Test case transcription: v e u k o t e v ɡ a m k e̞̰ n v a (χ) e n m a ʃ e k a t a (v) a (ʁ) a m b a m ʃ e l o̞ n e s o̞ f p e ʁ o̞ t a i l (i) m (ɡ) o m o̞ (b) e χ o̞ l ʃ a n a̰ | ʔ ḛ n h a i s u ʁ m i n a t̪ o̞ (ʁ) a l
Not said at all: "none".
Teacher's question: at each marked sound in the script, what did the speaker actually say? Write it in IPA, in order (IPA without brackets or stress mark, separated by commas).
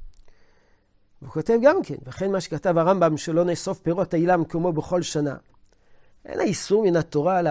χ, v, ʁ, a, k, b, ʁ